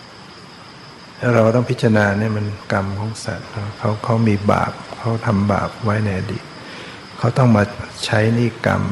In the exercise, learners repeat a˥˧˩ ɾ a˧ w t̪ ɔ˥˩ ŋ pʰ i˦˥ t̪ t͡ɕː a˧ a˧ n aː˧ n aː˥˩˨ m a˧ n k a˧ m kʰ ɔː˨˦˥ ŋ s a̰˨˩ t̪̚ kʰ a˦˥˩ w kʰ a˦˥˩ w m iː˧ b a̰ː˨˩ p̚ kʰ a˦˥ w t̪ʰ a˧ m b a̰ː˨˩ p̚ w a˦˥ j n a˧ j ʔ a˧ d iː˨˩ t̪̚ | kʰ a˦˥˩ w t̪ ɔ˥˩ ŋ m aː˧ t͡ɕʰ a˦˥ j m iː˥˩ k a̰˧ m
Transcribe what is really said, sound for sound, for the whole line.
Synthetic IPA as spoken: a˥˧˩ ɾ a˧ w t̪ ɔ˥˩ ŋ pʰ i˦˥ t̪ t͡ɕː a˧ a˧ n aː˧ n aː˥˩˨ m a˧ n k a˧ m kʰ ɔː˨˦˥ ŋ s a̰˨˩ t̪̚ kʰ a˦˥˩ w kʰ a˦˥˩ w m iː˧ b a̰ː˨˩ p̚ kʰ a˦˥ w t̪ʰ a˧ m b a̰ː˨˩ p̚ w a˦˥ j n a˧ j ʔ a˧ d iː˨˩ t̪̚ | kʰ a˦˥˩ w t̪ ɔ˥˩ ŋ m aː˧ t͡ɕʰ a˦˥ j n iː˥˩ k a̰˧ m